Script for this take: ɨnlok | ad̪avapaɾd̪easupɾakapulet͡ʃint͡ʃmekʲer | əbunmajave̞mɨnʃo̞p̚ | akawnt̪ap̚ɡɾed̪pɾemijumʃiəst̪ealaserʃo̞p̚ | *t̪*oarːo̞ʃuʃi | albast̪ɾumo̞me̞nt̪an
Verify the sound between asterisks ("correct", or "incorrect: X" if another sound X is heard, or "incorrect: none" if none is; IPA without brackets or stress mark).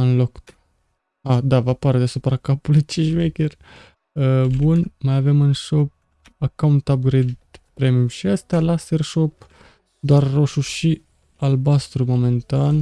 incorrect: d̪